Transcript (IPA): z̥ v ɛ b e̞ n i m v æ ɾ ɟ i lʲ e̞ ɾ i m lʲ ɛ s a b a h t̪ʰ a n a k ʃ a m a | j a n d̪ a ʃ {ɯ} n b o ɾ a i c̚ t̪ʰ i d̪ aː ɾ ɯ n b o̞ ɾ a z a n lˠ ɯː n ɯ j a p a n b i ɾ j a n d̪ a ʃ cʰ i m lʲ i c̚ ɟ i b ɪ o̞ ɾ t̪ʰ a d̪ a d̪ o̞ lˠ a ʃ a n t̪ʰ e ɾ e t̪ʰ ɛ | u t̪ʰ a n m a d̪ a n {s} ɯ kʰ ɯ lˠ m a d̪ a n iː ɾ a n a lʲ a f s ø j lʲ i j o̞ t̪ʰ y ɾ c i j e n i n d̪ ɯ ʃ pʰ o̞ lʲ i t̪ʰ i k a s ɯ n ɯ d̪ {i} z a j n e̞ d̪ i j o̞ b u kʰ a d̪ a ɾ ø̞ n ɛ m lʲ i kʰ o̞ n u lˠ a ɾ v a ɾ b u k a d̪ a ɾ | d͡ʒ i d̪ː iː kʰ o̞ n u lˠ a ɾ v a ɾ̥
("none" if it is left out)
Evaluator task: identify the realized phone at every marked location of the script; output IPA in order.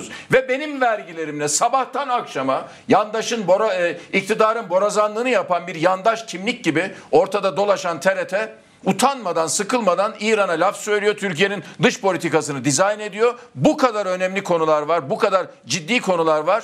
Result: ɯ, s, i

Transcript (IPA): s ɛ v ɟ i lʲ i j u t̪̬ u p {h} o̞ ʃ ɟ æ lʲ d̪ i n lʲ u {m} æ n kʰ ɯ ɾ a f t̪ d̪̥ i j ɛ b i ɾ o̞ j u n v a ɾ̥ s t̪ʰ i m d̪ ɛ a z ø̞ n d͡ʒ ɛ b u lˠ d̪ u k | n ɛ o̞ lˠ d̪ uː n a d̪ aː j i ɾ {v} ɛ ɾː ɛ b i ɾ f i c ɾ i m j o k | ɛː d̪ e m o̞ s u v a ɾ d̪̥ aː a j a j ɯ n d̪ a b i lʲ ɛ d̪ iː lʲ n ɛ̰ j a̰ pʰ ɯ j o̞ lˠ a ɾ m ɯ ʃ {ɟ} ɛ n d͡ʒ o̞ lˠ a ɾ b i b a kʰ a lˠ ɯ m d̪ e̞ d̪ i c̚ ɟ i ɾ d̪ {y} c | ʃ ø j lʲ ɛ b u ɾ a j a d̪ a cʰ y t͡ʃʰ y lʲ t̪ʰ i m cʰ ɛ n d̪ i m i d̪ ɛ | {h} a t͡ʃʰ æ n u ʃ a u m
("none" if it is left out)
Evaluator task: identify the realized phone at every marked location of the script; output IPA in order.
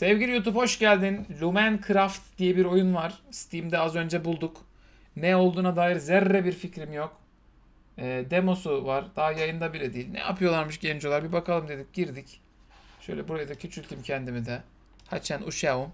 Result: h, m, z, ɟ, i, h

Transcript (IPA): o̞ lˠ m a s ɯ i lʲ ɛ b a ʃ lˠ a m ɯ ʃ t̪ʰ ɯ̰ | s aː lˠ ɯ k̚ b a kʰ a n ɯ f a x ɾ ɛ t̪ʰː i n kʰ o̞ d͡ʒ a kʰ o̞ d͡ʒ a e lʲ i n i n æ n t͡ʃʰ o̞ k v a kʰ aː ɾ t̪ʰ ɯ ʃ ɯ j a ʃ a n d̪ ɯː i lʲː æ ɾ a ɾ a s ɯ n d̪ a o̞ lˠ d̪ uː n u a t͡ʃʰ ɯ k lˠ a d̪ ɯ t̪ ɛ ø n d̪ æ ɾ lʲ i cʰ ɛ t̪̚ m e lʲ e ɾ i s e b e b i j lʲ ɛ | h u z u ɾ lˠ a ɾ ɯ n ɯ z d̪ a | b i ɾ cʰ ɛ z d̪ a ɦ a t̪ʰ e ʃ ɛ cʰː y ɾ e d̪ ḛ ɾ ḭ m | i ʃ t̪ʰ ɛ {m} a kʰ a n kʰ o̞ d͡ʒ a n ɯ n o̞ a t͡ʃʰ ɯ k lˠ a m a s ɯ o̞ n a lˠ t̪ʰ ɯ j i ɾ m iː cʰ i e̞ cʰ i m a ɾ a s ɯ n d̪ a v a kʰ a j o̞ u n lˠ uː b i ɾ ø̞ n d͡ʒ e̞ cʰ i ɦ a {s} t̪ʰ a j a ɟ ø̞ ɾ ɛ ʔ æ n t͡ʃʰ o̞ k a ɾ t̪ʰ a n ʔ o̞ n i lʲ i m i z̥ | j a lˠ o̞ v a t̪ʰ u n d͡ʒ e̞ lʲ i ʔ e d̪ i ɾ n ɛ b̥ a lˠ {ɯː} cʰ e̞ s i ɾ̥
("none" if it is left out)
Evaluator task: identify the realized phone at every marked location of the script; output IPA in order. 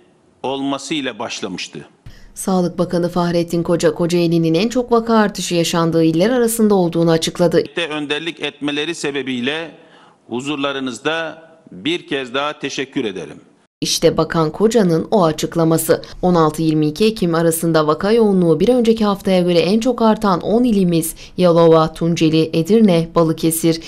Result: b, f, ɯ

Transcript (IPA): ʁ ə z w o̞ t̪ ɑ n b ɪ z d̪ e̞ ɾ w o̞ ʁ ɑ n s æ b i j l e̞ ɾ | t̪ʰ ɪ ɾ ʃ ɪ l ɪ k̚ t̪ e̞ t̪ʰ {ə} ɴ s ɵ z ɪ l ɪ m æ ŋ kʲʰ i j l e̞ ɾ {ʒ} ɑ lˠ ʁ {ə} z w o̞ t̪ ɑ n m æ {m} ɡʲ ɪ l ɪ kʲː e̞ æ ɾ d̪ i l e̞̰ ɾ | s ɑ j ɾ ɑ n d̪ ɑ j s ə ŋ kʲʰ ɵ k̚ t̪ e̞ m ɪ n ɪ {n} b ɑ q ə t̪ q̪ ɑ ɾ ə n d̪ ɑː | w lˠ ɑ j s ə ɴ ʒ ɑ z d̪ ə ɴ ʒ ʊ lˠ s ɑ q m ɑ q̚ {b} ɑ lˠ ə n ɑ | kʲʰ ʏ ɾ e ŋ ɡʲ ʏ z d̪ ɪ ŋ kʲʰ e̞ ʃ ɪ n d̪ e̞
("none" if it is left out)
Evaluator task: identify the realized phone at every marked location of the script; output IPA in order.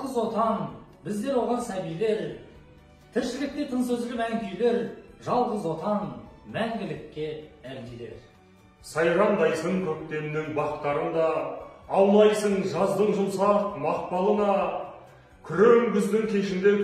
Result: ə, ʒ, ə, ŋ, ŋ, p

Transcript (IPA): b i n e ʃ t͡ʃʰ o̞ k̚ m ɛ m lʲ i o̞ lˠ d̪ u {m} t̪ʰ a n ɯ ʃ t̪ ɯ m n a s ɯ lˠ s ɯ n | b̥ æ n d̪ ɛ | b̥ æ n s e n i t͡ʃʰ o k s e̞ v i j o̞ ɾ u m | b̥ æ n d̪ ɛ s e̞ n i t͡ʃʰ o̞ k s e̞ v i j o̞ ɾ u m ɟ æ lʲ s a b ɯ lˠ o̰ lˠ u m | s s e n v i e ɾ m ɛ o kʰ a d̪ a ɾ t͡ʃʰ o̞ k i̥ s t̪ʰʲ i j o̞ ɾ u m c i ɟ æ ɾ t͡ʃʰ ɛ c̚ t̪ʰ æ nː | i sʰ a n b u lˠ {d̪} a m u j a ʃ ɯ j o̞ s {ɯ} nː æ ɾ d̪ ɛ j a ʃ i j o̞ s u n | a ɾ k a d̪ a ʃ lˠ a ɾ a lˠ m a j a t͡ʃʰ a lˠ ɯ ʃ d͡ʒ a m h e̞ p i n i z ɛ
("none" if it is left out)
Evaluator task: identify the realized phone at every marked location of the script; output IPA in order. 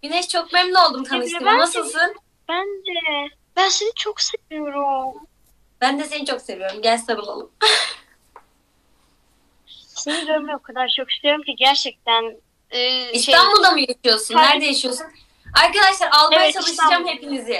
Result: m, d̪, u

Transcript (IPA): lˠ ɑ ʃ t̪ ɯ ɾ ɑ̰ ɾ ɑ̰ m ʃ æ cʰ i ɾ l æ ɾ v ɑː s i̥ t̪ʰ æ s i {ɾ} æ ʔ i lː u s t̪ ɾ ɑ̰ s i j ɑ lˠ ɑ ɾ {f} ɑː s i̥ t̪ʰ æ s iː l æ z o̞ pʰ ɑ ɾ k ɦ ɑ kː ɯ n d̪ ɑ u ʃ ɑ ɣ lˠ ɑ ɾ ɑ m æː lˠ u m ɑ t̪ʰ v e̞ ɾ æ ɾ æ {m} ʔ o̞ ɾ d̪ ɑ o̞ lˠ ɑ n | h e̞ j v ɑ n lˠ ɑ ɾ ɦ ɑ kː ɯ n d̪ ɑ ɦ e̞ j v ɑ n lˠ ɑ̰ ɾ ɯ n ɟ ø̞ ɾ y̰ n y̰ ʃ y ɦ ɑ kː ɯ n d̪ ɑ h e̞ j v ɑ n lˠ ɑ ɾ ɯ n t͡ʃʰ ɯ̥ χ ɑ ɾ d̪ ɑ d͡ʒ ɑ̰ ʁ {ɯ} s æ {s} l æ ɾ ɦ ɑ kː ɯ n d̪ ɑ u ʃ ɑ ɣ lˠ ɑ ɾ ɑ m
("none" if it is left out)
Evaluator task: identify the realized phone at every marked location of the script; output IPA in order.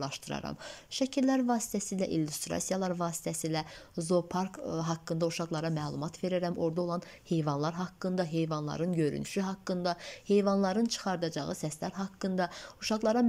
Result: l, v, m, ɯ, s

